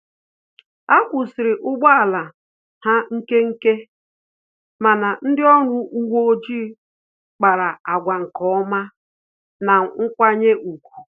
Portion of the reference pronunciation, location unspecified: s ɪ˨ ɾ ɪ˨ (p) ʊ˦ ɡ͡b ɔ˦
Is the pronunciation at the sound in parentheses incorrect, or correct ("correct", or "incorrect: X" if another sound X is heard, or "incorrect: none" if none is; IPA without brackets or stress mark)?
incorrect: ʔ